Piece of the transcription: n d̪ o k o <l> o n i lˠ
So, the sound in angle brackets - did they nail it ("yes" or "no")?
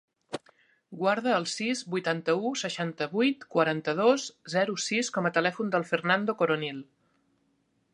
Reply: no